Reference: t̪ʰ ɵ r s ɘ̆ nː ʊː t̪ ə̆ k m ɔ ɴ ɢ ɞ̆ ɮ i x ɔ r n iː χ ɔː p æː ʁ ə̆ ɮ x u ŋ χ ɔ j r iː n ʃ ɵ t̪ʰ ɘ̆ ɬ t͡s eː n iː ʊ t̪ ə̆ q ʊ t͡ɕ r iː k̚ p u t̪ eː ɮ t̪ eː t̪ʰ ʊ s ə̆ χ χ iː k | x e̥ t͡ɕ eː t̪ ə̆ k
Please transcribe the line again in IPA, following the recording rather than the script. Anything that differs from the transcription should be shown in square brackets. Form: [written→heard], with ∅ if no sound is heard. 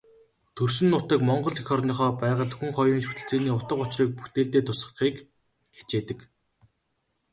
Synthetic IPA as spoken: t̪ʰ ɵ r s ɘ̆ nː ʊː t̪ ə̆ k m ɔ ɴ ɢ ɞ̆ ɮ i x ɔ r n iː χ ɔː p æː ʁ ə̆ ɮ x u ŋ χ ɔ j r iː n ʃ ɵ [t̪ʰ→t̪] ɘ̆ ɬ t͡s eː n iː ʊ t̪ ə̆ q ʊ t͡ɕ r iː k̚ p u t̪ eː ɮ t̪ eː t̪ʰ ʊ s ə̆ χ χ iː k | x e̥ t͡ɕ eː t̪ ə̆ k